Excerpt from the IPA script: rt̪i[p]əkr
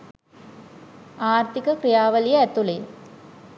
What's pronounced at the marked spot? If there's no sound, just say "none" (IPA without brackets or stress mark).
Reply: k